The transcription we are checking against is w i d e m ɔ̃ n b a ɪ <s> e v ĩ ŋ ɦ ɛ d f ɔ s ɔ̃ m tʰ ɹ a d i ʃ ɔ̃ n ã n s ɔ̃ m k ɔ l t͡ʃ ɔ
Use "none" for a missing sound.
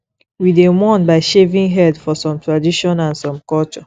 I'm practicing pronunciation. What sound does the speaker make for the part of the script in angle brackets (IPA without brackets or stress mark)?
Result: ʃ